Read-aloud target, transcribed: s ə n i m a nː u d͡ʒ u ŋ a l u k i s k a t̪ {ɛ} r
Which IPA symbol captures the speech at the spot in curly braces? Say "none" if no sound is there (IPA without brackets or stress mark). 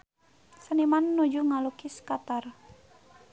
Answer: a